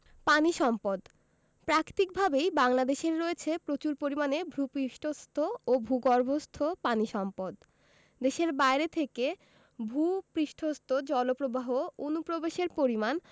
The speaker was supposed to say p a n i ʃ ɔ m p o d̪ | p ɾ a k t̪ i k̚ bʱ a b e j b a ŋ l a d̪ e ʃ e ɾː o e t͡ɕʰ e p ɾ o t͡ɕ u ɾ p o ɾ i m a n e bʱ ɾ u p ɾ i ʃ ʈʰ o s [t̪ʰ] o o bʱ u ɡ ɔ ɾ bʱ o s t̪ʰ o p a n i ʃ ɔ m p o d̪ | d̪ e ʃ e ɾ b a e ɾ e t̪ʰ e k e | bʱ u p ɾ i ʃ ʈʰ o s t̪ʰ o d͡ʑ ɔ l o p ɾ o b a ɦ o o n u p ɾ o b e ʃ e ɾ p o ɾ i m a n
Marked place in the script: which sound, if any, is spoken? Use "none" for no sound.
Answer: t̪ʰ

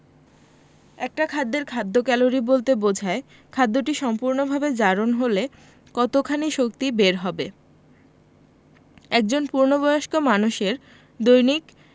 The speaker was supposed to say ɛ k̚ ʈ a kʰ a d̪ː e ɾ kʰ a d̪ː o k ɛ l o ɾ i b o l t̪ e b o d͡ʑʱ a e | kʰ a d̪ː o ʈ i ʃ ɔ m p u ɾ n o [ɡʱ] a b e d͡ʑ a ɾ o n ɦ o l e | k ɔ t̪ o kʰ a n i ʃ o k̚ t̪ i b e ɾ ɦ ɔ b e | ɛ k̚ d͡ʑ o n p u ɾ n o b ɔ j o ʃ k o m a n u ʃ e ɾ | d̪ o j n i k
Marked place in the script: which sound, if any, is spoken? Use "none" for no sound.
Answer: bʱ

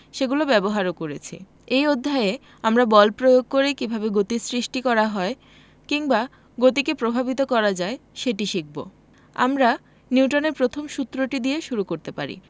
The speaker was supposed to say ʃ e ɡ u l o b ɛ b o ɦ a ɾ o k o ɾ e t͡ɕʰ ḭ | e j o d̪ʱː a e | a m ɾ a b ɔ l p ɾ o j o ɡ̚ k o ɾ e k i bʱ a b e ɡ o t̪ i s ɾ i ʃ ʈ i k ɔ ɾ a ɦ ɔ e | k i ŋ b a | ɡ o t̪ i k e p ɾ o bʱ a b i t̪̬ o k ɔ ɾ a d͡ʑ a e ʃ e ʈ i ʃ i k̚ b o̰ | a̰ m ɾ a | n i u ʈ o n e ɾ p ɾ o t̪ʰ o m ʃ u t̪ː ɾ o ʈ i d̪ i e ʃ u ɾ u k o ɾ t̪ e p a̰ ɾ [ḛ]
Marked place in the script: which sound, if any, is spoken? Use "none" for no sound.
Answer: ḭ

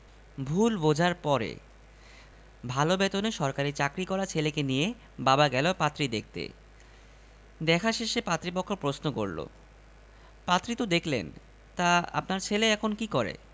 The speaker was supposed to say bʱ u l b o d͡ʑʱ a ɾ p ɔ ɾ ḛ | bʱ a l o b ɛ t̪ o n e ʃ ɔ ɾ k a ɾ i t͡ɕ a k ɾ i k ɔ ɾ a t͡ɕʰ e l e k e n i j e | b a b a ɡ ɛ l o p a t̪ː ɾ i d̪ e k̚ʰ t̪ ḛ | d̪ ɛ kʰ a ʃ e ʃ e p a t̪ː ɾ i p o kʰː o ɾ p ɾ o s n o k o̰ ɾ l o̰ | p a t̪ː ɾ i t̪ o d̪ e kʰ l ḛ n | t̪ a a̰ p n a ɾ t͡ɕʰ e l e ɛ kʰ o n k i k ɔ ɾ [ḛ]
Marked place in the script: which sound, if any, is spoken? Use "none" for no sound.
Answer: ḛ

